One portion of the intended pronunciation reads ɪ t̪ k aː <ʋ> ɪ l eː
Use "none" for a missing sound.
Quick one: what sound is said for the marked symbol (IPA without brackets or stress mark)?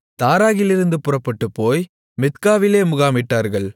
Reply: ʋ